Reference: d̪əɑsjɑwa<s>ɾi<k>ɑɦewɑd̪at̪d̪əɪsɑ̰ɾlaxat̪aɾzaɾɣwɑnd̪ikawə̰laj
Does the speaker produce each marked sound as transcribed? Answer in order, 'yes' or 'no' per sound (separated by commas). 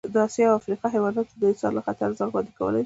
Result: no, no